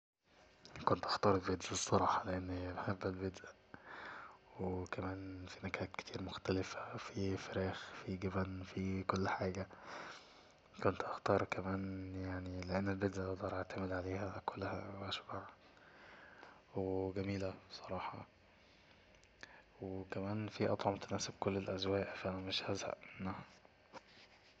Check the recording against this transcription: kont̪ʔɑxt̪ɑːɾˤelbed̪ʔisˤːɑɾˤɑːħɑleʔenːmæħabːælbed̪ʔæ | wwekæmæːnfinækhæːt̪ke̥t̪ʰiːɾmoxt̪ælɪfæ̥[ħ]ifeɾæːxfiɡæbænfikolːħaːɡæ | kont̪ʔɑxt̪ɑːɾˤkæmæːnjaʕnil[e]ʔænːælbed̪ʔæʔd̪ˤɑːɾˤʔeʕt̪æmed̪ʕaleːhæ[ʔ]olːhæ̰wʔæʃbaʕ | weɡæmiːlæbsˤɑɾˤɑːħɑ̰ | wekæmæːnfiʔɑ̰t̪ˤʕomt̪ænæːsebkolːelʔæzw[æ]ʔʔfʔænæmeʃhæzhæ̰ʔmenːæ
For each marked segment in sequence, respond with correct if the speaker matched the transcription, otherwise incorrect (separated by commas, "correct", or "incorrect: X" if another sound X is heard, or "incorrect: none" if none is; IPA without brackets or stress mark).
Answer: incorrect: f, correct, incorrect: k, incorrect: æː